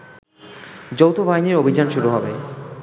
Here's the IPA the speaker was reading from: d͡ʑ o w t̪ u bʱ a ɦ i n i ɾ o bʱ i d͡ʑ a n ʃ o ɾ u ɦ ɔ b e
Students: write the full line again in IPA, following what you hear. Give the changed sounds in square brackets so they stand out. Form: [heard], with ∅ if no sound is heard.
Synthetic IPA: d͡ʑ o w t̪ [o] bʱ a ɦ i n i ɾ o bʱ i d͡ʑ a n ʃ [u] ɾ u ɦ ɔ b e

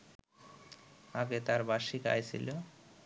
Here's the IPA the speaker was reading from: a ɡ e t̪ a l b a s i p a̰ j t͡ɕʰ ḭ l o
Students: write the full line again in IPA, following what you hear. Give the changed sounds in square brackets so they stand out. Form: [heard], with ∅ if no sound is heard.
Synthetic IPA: a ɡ e t̪ a [ɾ] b a [ʃ] i [k] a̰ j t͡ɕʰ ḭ l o

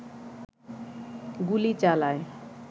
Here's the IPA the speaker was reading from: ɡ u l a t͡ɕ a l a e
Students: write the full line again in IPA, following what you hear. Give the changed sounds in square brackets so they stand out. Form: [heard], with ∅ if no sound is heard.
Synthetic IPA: ɡ u l [i] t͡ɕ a l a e

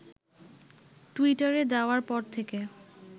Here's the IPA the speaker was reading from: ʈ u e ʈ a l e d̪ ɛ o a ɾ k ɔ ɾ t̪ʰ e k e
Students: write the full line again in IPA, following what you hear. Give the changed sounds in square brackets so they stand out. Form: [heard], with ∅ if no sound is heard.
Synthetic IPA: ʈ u [i] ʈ a [ɾ] e d̪ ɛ o a ɾ [p] ɔ ɾ t̪ʰ e k e

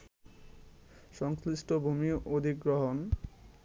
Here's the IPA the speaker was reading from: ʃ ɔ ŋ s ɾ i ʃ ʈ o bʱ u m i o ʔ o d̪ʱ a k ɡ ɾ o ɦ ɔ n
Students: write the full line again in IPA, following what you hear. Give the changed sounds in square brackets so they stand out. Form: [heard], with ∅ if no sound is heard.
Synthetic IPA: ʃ ɔ ŋ s [l] i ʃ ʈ o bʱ u m i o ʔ o d̪ʱ [i] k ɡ ɾ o ɦ [o] n

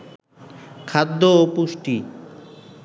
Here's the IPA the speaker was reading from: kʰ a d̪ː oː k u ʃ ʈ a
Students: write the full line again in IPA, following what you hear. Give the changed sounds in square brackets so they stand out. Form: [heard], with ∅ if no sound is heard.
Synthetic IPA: kʰ a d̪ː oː [p] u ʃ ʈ [i]

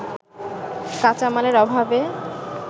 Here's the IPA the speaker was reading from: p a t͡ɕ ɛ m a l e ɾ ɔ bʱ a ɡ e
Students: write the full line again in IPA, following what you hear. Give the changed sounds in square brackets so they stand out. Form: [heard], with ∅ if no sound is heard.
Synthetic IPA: [k] a t͡ɕ [a] m a l e ɾ ɔ bʱ a [b] e

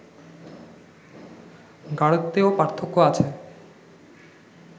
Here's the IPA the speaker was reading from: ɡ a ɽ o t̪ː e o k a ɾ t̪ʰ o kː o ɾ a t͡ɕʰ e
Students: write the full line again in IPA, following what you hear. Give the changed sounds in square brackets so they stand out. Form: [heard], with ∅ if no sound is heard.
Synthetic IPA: ɡ a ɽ o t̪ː e o [p] a ɾ t̪ʰ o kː o [∅] a t͡ɕʰ e

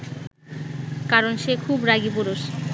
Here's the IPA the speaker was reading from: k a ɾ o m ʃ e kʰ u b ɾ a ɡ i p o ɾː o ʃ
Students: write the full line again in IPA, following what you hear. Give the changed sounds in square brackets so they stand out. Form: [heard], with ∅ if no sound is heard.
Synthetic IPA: k a ɾ o [n] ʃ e kʰ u b ɾ a ɡ i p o [ɾ] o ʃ

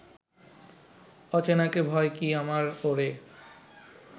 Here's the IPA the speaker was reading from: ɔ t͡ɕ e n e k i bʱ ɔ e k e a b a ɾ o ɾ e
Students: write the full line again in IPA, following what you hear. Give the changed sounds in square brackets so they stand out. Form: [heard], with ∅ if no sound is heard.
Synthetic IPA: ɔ t͡ɕ e n [a] k [e] bʱ ɔ e k [i] a [m] a ɾ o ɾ e

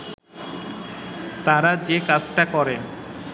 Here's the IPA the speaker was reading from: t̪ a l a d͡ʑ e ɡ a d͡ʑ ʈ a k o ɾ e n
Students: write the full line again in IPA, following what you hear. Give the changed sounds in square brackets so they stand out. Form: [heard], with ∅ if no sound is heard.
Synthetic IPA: t̪ a [ɾ] a d͡ʑ e [k] a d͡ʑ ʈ a k [ɔ] ɾ e n

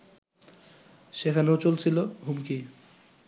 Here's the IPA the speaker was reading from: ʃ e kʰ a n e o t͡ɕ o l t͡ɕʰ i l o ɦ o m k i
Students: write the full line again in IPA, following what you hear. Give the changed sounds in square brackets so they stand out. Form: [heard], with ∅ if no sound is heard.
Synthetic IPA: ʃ e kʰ a n e o t͡ɕ o l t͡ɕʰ i l o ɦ [u] m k i

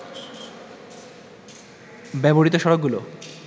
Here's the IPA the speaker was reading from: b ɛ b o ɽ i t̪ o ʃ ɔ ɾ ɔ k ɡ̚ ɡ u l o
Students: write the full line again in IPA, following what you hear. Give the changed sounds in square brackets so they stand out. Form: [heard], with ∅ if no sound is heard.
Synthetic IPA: b ɛ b o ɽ i t̪ o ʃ ɔ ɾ [o] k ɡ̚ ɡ u l o

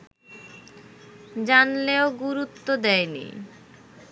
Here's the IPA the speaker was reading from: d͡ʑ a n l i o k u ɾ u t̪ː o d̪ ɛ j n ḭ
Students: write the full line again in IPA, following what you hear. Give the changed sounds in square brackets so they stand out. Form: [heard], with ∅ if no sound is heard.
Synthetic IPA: d͡ʑ a n l [e] o [ɡ] u ɾ u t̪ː o d̪ ɛ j n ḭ

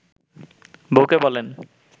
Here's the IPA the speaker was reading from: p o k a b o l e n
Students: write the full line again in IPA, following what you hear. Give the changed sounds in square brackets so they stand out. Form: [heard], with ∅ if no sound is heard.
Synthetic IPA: [b] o k [e] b [ɔ] l e n

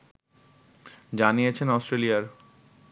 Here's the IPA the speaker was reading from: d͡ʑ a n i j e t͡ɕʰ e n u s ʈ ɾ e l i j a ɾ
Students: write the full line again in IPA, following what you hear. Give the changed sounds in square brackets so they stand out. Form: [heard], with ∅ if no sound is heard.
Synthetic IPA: d͡ʑ a n i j e t͡ɕʰ e n [ɔ] s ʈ ɾ e l i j a ɾ

